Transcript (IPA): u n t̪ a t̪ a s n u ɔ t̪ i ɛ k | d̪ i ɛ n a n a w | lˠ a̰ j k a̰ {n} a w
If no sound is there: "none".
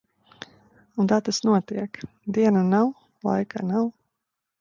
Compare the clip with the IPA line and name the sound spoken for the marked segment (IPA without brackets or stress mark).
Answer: n